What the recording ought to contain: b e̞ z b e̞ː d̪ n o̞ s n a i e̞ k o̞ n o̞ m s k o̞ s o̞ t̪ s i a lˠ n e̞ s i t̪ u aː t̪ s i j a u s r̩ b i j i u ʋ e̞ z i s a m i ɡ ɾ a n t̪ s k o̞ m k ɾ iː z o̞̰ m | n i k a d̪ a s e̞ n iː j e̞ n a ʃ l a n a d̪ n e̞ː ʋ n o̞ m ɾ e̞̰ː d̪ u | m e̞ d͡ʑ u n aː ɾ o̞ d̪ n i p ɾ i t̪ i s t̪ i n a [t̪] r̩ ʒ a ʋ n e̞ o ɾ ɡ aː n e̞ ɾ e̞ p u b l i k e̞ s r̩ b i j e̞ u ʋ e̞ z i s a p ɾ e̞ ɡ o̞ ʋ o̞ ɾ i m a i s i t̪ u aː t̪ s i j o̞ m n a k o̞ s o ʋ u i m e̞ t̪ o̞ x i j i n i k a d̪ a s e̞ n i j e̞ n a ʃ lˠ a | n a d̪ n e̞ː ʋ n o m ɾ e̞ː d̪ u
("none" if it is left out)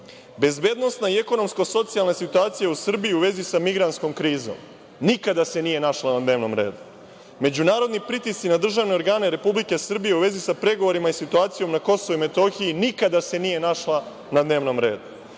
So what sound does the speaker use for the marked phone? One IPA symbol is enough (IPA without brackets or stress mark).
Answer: d̪